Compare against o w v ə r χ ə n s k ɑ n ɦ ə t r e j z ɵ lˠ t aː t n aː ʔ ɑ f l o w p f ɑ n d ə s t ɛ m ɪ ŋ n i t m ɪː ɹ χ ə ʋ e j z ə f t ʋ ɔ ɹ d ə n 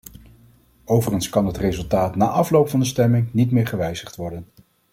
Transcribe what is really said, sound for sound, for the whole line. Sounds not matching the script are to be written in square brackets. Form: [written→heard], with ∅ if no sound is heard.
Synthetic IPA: o w v ə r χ ə n s k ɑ n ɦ ə t r e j z ɵ lˠ t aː t n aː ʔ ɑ f l o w p f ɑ n d ə s t ɛ m ɪ ŋ n i t m ɪː ɹ χ ə ʋ [e→ɛ] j z ə [f→χ] t ʋ ɔ ɹ d ə n